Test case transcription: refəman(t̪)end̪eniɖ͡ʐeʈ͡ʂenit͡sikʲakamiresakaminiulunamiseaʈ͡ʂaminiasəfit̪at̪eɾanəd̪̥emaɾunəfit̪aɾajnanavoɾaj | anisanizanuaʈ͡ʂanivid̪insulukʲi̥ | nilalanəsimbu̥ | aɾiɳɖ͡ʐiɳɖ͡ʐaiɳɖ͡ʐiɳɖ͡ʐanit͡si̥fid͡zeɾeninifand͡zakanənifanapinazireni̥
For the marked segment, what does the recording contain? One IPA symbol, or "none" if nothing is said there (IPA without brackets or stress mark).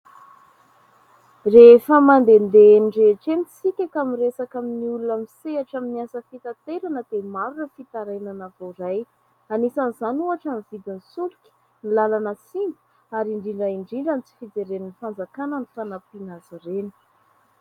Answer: d̪